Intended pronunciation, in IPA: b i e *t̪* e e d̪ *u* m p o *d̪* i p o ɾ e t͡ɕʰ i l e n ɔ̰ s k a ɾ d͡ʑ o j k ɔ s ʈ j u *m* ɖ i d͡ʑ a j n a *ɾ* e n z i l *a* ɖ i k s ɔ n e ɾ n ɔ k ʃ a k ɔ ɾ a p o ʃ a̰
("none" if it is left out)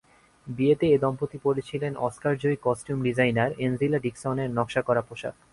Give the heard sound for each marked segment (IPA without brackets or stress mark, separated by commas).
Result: t̪, ɔ, t̪, m, ɾ, a